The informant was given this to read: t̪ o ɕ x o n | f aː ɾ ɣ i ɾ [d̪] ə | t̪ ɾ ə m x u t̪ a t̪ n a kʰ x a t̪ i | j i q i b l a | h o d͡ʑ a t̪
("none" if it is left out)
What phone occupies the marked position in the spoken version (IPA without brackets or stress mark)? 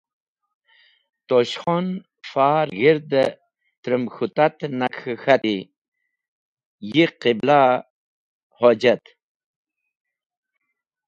d̪